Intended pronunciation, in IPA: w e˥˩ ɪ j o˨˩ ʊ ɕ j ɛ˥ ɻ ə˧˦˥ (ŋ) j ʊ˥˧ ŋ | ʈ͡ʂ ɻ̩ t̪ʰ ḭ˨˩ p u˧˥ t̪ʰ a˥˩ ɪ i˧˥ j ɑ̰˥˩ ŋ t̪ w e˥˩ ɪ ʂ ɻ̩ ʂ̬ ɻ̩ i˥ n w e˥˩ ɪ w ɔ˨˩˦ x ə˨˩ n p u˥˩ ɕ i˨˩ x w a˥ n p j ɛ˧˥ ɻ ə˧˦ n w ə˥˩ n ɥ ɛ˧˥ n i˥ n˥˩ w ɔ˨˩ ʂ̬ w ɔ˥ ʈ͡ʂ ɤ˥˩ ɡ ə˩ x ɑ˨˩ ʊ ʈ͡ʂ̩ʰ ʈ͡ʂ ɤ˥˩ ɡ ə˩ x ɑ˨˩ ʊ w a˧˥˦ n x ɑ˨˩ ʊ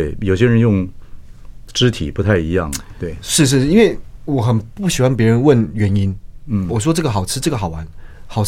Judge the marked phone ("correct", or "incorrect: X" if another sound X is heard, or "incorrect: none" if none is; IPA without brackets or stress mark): incorrect: n